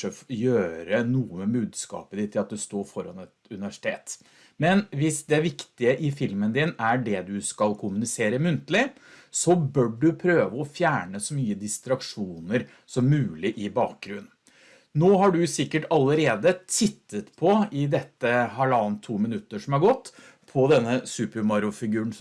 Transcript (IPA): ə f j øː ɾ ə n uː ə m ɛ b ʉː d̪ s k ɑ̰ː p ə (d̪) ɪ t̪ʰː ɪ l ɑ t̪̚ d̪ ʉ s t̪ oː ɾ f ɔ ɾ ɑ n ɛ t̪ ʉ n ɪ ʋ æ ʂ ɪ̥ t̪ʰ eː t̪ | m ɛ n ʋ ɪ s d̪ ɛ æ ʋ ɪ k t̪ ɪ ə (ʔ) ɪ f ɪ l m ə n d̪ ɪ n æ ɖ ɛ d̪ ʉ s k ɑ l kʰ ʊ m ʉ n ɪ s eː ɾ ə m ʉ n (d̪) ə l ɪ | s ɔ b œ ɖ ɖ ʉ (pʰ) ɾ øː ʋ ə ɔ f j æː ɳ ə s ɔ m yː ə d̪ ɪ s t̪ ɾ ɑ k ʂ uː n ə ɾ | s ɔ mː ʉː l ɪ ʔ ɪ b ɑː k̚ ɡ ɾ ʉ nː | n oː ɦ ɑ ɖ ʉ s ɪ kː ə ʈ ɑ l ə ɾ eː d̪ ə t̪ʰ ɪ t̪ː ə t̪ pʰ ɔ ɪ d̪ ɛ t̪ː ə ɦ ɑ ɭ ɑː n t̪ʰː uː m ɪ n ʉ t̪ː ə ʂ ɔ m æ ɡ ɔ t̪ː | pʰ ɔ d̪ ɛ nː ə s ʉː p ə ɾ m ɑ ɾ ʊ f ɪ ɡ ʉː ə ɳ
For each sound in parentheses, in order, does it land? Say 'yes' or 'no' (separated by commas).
yes, yes, no, yes